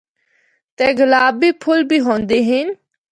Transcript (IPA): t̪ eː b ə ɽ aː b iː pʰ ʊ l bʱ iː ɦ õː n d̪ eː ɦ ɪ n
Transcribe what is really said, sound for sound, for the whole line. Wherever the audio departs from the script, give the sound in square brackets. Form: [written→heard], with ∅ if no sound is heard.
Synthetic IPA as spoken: t̪ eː [b→ɡ] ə [ɽ→l] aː b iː pʰ ʊ l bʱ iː ɦ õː n d̪ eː ɦ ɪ n